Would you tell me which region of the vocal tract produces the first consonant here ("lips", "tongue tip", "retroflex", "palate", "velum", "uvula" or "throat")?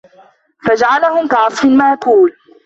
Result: lips